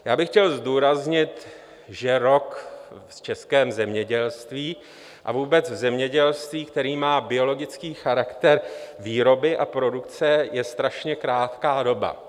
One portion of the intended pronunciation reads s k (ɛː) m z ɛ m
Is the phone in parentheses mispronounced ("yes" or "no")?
no